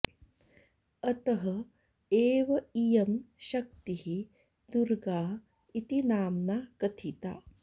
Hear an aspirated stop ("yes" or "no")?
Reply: yes